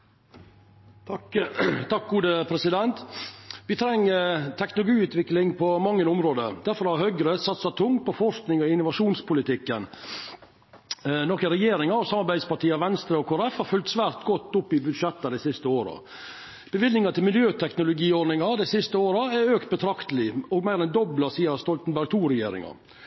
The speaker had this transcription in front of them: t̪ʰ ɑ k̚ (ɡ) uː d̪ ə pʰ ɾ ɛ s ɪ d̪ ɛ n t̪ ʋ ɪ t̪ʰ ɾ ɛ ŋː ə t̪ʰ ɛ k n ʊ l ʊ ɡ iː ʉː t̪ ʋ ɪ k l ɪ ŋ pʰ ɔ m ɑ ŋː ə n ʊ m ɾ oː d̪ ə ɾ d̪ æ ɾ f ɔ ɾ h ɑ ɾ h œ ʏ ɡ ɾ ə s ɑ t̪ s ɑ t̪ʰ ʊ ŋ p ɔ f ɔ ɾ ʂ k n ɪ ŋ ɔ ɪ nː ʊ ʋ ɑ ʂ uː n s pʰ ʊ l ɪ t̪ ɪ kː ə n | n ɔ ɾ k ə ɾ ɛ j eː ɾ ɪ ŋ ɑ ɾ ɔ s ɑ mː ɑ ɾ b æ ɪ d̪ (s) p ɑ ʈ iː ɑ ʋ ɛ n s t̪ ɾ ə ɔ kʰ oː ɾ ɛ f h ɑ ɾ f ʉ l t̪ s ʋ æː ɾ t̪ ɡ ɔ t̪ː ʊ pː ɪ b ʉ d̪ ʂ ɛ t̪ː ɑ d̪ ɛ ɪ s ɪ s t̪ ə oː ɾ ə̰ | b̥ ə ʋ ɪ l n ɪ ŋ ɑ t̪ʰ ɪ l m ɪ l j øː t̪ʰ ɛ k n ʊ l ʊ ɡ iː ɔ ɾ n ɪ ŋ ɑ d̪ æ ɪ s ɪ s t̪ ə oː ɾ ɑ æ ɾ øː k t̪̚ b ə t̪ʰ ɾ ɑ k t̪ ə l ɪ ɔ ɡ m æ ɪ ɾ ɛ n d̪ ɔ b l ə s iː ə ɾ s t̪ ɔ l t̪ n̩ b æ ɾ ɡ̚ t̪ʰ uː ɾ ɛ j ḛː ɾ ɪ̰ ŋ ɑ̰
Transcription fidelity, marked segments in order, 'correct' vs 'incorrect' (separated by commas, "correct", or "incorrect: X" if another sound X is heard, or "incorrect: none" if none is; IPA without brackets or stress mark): correct, correct